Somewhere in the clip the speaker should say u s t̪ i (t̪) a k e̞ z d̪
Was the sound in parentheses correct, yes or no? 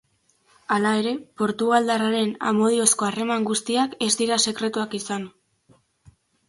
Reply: no